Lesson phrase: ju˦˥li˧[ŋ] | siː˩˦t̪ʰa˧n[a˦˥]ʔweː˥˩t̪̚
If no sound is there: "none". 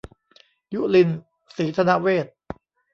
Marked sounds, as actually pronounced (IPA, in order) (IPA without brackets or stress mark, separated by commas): n, a˦˥